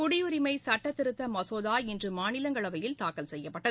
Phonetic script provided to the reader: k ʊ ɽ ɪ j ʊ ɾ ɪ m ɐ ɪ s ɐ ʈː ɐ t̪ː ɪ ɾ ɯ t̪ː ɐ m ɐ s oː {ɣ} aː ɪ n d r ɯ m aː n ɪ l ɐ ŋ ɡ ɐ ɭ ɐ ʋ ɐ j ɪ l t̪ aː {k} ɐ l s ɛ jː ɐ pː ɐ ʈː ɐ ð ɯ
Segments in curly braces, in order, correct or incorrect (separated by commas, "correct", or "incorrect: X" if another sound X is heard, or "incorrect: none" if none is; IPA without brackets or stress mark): incorrect: ð, correct